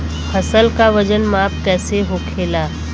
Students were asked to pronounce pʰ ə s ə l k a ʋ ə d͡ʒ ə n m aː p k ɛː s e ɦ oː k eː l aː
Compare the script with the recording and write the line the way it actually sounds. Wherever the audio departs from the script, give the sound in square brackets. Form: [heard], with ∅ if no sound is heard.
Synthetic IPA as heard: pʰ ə s ə l k a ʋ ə d͡ʒ ə n m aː p k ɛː s e ɦ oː [kʰ] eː l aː